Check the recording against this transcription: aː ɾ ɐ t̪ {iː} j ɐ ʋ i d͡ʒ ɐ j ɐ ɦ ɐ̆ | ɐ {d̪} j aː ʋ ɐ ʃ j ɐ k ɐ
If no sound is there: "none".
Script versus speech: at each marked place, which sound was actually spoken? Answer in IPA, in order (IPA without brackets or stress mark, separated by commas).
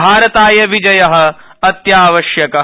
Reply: aː, t̪